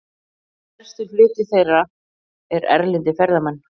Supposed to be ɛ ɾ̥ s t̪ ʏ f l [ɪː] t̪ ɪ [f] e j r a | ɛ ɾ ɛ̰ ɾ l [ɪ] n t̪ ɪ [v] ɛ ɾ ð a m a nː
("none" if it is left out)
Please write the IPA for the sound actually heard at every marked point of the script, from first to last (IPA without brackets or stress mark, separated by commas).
ɪː, θ, ɪ, f